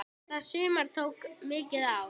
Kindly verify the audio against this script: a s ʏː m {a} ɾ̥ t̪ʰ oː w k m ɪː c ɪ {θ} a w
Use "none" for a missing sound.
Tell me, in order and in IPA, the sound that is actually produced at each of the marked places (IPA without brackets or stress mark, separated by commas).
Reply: a, ð